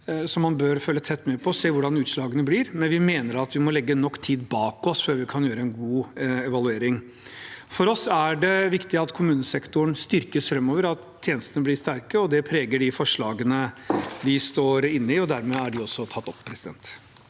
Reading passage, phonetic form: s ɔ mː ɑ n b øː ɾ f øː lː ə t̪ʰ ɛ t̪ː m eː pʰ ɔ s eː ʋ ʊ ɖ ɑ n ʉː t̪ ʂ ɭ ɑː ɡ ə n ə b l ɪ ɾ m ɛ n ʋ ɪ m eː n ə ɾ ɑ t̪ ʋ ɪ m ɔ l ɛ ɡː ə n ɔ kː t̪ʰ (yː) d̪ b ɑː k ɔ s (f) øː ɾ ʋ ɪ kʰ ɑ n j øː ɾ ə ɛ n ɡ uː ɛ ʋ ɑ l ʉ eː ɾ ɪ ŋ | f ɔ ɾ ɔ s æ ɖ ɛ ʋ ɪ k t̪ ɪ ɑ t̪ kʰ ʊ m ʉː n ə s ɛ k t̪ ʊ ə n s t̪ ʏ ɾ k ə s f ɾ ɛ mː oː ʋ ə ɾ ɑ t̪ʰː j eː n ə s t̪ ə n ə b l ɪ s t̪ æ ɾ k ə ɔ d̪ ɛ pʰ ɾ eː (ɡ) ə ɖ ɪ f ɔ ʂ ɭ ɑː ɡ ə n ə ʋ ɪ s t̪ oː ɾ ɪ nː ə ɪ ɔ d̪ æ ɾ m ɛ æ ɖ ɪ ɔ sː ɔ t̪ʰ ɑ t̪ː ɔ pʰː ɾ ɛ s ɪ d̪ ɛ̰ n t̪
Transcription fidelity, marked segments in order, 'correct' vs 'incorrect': incorrect: iː, correct, correct

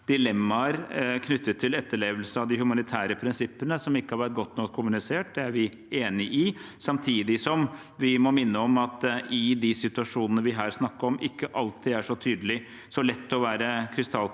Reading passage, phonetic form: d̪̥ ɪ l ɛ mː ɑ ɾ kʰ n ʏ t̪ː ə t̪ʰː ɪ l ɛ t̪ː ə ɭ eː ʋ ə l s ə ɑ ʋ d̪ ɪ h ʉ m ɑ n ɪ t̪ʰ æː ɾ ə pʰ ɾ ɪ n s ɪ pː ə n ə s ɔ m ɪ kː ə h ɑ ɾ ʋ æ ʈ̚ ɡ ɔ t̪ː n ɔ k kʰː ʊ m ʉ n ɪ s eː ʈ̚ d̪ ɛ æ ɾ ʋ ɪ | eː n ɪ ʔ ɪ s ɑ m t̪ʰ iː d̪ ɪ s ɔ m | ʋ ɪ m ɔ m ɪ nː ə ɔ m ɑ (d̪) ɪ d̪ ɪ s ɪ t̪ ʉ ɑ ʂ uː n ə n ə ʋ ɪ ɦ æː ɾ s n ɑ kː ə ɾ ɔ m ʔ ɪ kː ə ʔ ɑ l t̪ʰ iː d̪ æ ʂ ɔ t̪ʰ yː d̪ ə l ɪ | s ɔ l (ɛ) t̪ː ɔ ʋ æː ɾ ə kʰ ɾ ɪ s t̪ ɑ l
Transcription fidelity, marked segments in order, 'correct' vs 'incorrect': incorrect: t̪, correct

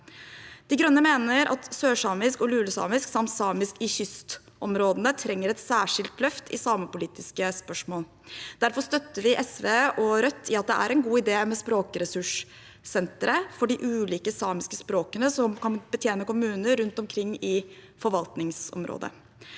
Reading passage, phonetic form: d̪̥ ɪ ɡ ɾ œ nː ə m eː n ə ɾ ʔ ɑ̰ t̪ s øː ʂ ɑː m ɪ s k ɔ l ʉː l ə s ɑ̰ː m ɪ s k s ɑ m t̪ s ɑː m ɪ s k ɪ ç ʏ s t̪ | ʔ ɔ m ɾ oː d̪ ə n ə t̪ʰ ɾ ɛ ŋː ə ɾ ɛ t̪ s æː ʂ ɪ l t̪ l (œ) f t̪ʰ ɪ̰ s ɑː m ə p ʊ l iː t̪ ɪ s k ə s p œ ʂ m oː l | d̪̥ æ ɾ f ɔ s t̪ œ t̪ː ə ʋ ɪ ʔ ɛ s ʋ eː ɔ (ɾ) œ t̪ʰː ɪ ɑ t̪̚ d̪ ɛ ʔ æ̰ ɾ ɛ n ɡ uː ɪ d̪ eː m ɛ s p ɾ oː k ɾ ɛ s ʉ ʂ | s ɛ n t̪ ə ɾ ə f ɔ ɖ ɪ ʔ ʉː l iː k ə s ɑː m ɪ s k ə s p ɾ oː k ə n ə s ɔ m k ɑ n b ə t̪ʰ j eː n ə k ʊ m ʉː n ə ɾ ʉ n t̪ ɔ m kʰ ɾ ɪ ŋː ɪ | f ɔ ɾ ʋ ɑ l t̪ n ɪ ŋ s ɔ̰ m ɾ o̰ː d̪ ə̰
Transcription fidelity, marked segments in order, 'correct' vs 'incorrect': correct, correct

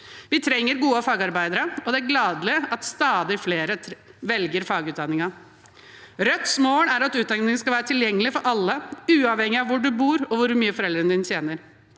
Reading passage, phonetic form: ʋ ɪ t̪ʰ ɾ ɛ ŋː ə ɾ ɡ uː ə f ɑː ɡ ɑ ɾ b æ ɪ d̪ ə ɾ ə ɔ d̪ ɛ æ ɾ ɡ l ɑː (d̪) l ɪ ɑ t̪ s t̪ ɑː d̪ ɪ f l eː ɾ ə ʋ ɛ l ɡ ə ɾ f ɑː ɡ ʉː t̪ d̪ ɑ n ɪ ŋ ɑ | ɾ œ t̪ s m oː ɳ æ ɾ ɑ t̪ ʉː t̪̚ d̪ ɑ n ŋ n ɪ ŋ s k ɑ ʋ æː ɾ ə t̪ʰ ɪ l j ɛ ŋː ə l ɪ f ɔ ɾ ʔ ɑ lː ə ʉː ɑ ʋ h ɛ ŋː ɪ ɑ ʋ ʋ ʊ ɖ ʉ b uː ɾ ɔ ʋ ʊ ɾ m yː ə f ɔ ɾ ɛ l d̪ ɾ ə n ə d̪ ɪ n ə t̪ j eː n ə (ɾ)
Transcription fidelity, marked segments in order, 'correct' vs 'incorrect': correct, correct

